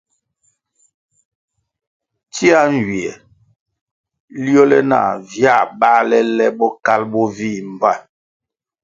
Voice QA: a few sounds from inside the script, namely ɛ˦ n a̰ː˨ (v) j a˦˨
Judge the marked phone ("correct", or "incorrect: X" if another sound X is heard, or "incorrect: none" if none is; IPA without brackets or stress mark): correct